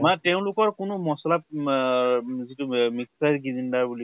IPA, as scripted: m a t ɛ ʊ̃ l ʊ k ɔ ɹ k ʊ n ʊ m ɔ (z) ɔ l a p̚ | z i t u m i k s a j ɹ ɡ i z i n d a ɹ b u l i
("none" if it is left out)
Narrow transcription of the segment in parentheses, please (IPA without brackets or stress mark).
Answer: s